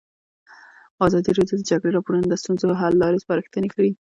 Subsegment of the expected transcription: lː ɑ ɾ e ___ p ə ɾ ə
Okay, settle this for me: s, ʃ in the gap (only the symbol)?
s